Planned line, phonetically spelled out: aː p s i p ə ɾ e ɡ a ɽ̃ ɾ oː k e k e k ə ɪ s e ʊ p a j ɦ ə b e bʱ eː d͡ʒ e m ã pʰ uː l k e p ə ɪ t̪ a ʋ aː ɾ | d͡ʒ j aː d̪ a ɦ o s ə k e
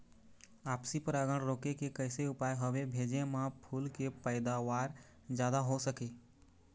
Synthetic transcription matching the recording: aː p s i p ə ɾ a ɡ ə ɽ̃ ɾ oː k e k e k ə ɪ s e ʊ p a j ɦ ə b e bʱ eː d͡ʒ e m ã pʰ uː l k e p ə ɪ d̪ a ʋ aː ɾ | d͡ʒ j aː d̪ a ɦ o s ə k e